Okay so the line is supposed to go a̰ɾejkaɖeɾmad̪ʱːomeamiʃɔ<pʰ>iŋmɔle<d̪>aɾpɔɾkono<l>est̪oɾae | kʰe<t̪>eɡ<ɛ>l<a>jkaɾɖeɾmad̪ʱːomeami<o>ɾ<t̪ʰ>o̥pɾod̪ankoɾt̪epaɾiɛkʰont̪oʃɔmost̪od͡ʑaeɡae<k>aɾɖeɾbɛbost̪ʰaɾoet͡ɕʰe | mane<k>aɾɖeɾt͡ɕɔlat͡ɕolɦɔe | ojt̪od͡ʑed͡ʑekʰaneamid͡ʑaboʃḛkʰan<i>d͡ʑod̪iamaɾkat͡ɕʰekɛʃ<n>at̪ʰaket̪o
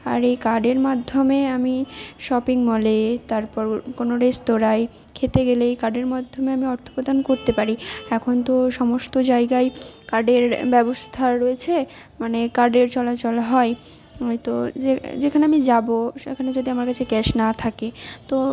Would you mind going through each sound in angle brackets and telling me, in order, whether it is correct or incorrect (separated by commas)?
incorrect, incorrect, incorrect, correct, incorrect, incorrect, incorrect, correct, correct, correct, incorrect, correct